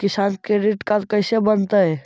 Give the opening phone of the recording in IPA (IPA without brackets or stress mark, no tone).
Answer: k